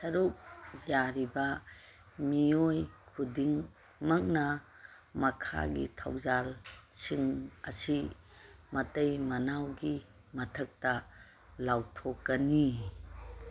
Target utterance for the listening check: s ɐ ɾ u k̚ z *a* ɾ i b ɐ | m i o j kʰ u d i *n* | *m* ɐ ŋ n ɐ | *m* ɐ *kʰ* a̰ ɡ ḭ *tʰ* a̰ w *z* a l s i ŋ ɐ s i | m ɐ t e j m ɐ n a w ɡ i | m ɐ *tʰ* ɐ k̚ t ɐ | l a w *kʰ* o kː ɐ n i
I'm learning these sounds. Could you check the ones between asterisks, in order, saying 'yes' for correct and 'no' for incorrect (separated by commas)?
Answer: yes, no, yes, yes, yes, yes, yes, yes, no